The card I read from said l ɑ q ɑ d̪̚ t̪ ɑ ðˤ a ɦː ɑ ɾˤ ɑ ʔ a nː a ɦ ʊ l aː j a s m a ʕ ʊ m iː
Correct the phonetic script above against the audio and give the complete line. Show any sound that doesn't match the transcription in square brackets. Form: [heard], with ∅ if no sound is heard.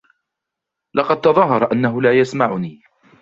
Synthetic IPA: l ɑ q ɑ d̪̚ t̪ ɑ ðˤ [ɑ] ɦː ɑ ɾˤ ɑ ʔ a nː a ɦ ʊ l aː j a s m a ʕ ʊ [n] iː